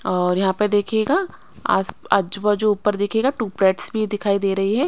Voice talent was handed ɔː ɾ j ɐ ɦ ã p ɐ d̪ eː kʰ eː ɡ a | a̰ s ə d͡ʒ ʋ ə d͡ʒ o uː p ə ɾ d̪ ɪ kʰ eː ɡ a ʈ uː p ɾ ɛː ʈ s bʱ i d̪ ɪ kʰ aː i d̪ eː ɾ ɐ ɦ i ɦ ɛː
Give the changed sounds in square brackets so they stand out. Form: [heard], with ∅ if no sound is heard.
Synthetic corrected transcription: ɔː ɾ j ɐ ɦ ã p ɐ d̪ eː kʰ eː ɡ a | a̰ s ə d͡ʒ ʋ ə d͡ʒ o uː p ə ɾ d̪ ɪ kʰ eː ɡ a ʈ uː p ɾ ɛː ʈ s bʱ i d̪ ɪ kʰ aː i d̪ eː ɾ ɐ ɦ i ɦ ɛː